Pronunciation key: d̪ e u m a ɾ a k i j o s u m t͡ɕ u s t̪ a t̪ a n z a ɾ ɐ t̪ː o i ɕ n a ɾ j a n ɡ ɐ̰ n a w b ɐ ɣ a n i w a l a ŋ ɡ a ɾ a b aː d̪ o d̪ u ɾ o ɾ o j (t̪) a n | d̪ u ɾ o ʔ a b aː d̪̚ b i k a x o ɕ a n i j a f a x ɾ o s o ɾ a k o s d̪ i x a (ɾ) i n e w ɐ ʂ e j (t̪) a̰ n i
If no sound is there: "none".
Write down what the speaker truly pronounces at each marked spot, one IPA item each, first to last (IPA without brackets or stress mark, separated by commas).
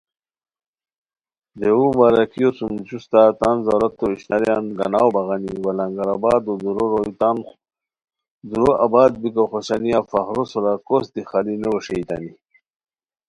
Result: t̪, l, t̪